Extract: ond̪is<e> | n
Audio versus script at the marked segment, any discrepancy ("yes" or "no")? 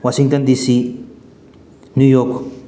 yes